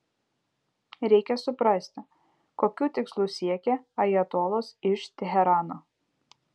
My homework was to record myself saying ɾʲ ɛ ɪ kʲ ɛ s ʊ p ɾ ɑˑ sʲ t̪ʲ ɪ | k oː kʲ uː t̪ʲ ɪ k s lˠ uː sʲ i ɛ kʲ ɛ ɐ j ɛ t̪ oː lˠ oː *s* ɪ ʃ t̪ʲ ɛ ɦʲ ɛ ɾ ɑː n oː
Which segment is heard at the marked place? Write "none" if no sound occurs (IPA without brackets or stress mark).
s